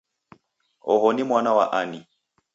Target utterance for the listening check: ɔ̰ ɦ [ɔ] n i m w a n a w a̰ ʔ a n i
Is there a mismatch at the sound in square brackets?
no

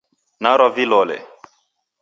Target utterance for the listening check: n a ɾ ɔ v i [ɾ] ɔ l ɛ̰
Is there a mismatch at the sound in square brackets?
yes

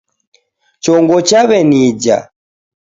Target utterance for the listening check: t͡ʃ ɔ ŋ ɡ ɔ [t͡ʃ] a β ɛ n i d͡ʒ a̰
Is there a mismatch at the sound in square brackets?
no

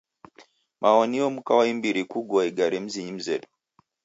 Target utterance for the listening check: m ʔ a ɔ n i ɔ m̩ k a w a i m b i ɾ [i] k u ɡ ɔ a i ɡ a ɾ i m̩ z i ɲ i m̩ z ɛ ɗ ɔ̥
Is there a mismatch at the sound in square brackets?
no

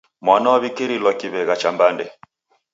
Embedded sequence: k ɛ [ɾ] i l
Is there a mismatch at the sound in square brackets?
no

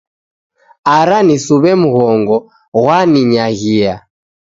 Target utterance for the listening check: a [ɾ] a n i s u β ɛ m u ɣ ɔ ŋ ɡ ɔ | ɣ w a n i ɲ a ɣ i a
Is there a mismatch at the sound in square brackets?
no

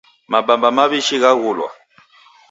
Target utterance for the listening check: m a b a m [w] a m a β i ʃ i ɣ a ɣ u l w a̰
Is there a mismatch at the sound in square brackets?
yes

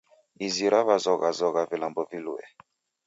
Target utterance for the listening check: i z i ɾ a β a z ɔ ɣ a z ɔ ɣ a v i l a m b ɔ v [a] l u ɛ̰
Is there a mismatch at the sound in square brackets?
yes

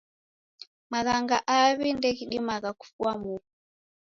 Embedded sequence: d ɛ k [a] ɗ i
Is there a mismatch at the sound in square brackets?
yes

